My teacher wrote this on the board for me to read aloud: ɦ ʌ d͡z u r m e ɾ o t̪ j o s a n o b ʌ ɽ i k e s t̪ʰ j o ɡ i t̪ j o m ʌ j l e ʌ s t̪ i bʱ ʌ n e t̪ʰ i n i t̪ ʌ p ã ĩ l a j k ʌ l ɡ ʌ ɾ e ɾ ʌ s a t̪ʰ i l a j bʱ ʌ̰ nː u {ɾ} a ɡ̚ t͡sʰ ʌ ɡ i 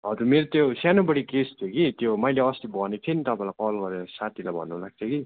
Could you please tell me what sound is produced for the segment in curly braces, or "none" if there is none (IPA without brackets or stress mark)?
l